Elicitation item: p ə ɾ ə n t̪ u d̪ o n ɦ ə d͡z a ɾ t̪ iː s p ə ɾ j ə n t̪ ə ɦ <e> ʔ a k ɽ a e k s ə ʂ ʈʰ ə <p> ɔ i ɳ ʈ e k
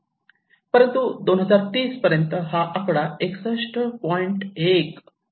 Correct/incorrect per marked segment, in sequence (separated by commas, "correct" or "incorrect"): incorrect, correct